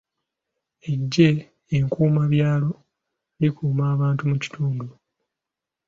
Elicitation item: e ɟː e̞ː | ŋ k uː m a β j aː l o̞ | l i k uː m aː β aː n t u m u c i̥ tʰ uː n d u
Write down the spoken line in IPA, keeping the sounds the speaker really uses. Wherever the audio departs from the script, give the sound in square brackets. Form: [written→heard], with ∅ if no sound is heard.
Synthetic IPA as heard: e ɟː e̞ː | ŋ k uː m a β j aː l o̞ | l i k uː m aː β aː n t u m u c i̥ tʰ uː n d u